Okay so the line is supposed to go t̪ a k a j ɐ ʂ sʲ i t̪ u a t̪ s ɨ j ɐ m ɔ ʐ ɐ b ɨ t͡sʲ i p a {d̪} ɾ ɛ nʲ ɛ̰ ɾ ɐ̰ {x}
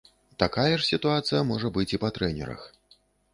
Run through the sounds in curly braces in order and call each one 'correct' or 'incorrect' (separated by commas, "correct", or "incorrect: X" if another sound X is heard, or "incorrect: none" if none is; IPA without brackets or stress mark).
incorrect: t̪, correct